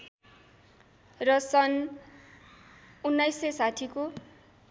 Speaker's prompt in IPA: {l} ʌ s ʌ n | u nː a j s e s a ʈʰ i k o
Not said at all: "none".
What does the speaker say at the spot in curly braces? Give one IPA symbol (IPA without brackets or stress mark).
r